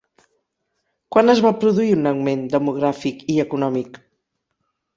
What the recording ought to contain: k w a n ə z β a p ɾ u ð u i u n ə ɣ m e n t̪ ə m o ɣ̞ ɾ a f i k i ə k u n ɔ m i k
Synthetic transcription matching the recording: k w a n ə z β a p ɾ u ð u i u n ə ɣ m e n d̪ ə m u ɣ̞ ɾ a f i k i ə k u n ɔ m i k